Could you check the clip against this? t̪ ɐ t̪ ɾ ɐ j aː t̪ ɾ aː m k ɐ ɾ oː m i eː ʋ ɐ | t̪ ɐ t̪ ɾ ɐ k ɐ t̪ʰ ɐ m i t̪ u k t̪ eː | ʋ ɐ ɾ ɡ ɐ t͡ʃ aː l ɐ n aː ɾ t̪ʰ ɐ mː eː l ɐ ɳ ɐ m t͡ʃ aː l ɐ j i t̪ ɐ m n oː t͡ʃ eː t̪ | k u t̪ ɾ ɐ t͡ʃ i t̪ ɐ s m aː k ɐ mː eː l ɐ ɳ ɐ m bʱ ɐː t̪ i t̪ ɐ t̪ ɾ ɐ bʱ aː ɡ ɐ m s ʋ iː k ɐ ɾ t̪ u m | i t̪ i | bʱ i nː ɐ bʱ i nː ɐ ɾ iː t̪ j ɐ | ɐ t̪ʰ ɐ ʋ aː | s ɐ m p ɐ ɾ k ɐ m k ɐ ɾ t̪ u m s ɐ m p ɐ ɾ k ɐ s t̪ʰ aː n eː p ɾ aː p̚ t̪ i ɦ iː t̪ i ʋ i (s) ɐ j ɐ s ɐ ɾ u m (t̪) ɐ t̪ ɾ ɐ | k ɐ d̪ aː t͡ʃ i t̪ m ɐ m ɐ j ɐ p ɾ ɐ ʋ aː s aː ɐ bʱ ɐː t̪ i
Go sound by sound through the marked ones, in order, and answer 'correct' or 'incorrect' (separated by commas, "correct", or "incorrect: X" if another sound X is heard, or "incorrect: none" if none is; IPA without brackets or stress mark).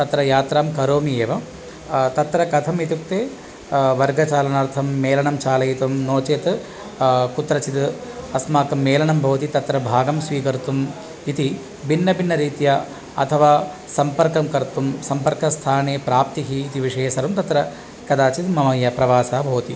incorrect: ʂ, correct